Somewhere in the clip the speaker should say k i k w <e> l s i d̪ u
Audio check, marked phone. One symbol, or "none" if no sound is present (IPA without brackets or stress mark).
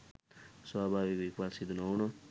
a